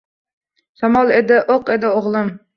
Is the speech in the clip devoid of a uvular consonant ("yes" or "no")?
no